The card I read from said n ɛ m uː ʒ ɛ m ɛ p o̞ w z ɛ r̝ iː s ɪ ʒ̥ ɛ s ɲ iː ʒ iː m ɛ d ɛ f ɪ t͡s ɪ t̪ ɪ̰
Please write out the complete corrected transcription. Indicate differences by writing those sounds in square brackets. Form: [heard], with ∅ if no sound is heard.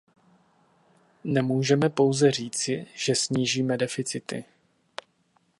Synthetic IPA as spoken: n ɛ m uː ʒ ɛ m ɛ p o̞ w z ɛ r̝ iː [t͡s] ɪ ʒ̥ ɛ s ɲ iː ʒ iː m ɛ d ɛ f ɪ t͡s ɪ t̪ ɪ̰